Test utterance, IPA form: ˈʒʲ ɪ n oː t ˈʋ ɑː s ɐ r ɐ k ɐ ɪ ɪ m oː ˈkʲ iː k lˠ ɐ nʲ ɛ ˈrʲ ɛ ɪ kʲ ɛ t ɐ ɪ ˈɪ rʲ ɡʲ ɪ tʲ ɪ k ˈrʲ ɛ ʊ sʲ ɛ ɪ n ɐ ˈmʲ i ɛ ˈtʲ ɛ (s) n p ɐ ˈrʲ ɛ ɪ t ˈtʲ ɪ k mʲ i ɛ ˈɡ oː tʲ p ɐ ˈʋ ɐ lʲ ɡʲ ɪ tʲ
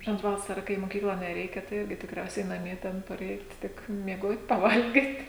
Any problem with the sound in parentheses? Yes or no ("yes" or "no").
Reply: yes